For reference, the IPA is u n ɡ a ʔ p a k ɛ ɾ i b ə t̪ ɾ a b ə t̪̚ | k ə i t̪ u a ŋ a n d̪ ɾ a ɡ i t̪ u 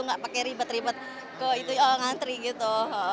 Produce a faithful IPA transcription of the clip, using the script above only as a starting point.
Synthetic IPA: u ŋ ɡ a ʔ p a k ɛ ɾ i b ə t̪ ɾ i b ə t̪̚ | k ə i t̪ u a ŋ a n t̪ ɾ i ɡ i t̪ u